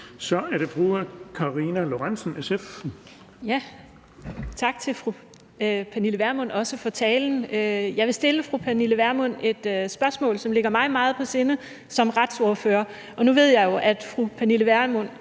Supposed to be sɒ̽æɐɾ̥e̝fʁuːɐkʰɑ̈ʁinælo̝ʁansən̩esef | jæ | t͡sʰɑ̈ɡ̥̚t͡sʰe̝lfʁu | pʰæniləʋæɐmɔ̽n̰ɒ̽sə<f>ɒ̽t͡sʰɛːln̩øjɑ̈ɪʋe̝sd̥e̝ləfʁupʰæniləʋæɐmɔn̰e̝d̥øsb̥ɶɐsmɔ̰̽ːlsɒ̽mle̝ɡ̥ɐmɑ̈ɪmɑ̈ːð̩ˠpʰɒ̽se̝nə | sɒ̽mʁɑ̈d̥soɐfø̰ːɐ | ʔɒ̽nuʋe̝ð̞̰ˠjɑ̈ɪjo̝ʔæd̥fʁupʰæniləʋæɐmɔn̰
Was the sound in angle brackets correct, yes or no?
yes